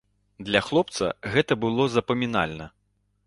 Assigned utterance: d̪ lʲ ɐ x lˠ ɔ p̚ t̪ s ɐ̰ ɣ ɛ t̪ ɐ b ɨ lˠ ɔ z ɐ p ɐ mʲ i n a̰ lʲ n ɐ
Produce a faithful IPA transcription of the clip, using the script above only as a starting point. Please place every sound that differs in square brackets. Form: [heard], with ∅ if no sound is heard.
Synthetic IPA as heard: d̪ lʲ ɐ x lˠ ɔ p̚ t̪ s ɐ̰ ɣ ɛ t̪ ɐ b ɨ lˠ ɔ z ɐ p ɐ mʲ i n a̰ lʲ n ɐ